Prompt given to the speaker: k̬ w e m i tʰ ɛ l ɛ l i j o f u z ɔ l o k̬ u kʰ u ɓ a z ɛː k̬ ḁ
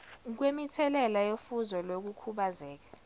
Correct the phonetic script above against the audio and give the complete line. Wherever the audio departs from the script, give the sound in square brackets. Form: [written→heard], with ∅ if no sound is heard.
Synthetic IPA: k̬ w e m i tʰ ɛ l ɛ l [i→a] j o f u z ɔ l o k̬ u kʰ u ɓ a z ɛː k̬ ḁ